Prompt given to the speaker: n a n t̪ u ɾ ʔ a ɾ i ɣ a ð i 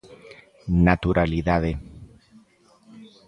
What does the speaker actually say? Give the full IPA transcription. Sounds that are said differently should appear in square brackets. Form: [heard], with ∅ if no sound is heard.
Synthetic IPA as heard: n a [∅] t̪ u ɾ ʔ a [l] i [ð] a ð [e]